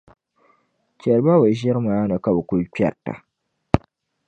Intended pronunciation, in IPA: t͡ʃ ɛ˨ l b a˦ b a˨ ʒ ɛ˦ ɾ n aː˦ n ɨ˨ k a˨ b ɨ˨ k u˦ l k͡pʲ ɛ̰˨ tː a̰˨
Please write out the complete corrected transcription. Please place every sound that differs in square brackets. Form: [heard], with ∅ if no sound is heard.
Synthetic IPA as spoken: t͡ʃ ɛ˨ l b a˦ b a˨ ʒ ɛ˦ ɾ [m] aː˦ n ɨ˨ k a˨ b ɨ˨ k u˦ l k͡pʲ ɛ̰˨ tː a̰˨